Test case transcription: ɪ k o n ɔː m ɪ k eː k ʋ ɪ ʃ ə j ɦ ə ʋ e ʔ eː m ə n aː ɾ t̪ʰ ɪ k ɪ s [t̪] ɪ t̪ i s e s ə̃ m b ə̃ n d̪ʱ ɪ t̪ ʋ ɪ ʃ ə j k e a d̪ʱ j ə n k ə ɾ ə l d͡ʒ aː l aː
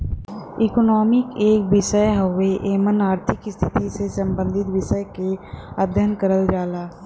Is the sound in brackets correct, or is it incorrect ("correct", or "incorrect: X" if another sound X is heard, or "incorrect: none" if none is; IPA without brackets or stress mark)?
incorrect: t̪ʰ